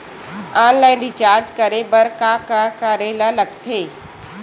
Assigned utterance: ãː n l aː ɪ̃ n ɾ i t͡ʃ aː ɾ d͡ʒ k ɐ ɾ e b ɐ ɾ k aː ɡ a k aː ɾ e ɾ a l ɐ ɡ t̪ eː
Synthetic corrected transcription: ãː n l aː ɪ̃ n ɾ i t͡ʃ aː ɾ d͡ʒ k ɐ ɾ e b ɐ ɾ k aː k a k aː ɾ e l a l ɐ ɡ t̪ʰ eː